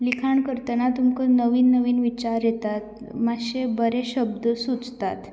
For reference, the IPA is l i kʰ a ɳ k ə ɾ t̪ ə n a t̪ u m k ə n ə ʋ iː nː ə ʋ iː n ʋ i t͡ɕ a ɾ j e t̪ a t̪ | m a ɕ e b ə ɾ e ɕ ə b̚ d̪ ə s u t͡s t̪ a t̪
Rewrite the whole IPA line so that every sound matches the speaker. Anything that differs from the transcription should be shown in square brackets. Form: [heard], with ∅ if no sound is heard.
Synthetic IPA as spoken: l i kʰ a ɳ k ə ɾ t̪ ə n a t̪ u m k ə n ə ʋ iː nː ə ʋ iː n ʋ i t͡ɕ a ɾ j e t̪ a t̪ | m a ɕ e b ə ɾ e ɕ ə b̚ d̪ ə s u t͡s t̪ a t̪